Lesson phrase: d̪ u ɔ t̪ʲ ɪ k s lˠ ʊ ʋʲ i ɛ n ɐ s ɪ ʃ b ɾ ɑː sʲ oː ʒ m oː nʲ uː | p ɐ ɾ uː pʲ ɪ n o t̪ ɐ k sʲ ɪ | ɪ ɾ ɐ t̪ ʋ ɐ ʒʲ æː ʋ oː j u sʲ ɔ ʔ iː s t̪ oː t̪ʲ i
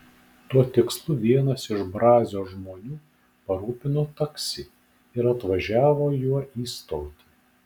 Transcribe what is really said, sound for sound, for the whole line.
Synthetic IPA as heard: t̪ u ɔ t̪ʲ ɪ k s lˠ ʊ ʋʲ i ɛ n ɐ s ɪ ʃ b ɾ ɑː zʲ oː ʒ m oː nʲ uː | p ɐ ɾ uː pʲ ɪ n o t̪ ɐ k sʲ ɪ | ɪ ɾ ɐ t̪ ʋ ɐ ʒʲ æː ʋ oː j u ɔ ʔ iː s t̪ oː t̪ʲ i

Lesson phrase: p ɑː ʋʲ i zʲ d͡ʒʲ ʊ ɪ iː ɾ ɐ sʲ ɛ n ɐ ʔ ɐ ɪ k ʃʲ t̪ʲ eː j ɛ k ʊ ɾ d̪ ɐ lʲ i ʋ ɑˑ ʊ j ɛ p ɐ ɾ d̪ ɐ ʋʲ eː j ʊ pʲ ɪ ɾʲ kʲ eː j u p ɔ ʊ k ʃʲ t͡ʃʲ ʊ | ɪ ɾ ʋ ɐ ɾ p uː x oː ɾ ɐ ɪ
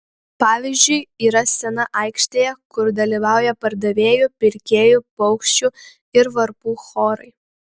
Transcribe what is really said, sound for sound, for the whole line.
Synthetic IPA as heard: p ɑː ʋʲ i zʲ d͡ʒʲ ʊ ɪ iː ɾ ɐ sʲ ɛ n ɐ ʔ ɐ ɪ k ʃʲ t̪ʲ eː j ɛ k ʊ ɾ d̪ ɐ lʲ i ʋ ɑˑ ʊ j ɛ p ɐ ɾ d̪ ɐ ʋʲ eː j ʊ pʲ ɪ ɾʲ kʲ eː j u p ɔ ʊ k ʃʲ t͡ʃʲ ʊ | ɪ ɾ ʋ ɐ ɾ p uː x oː ɾ ɐ ɪ

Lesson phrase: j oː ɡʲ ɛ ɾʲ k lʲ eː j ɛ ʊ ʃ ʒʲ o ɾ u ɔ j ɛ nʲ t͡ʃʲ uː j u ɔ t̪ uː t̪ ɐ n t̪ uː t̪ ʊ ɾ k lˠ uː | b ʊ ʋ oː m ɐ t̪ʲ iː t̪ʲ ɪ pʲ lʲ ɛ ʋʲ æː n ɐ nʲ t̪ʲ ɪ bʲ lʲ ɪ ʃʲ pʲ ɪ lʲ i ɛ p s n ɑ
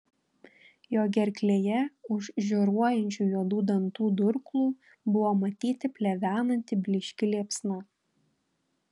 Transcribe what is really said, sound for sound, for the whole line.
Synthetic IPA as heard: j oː ɡʲ ɛ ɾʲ k lʲ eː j ɛ ʊ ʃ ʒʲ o ɾ u ɔ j ɛ nʲ t͡ʃʲ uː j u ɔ d̪ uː d̪ ɐ n t̪ uː d̪ ʊ ɾ k lˠ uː | b ʊ ʋ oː m ɐ t̪ʲ iː t̪ʲ ɪ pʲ lʲ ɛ ʋʲ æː n ɐ nʲ t̪ʲ ɪ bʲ lʲ ɪ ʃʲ kʲ ɪ lʲ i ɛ p s n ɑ

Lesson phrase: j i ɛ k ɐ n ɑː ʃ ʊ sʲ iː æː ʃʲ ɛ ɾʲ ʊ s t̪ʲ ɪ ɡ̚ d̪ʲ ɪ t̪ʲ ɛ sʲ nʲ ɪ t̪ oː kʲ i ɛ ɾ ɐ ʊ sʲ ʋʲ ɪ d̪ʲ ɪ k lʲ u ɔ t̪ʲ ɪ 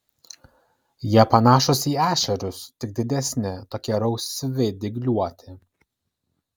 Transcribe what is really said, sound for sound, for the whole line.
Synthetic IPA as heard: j i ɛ p ɐ n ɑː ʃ ʊ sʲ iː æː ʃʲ ɛ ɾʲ ʊ s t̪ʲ ɪ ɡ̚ d̪ʲ ɪ d̪ʲ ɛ sʲ nʲ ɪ t̪ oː kʲ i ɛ ɾ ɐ ʊ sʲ ʋʲ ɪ d̪ʲ ɪ ɡ lʲ u ɔ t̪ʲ ɪ

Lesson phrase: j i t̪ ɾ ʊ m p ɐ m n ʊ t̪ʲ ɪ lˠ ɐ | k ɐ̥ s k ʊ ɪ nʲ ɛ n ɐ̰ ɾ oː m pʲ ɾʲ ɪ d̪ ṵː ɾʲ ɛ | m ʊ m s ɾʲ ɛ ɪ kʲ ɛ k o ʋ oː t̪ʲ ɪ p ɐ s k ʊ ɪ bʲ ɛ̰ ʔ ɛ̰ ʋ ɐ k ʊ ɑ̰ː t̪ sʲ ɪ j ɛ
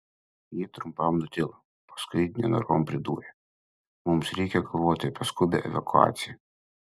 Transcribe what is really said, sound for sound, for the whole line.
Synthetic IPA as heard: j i t̪ ɾ ʊ m p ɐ m n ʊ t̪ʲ ɪ lˠ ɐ | p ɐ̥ s k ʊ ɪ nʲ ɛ n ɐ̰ ɾ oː m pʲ ɾʲ ɪ d̪ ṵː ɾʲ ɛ | m ʊ m s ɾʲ ɛ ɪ kʲ ɛ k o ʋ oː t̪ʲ ɪ p ɐ s k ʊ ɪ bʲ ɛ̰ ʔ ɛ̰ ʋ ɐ k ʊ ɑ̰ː t̪ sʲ ɪ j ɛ

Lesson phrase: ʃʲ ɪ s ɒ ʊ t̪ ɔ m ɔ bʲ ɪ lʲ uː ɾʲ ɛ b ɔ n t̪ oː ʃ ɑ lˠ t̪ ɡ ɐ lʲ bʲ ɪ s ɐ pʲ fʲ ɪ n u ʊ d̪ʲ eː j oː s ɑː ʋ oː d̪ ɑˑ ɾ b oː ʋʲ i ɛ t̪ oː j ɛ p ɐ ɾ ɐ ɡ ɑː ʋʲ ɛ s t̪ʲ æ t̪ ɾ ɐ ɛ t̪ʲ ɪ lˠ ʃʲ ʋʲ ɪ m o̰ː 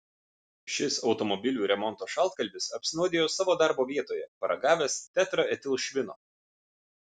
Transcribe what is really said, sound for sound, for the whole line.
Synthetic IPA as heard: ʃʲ ɪ s ɒ ʊ t̪ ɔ m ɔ bʲ ɪ lʲ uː ɾʲ ɛ m ɔ n t̪ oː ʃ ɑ lˠ t̪ k ɐ lʲ bʲ ɪ s ɐ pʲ sʲ ɪ n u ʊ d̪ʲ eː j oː s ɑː ʋ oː d̪ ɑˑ ɾ b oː ʋʲ i ɛ t̪ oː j ɛ p ɐ ɾ ɐ ɡ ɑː ʋʲ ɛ s t̪ʲ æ t̪ ɾ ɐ ɛ t̪ʲ ɪ lˠ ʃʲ ʋʲ ɪ n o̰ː

